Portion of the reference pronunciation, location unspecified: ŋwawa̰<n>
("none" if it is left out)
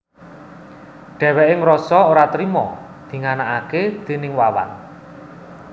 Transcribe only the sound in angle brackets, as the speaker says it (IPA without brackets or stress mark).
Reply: n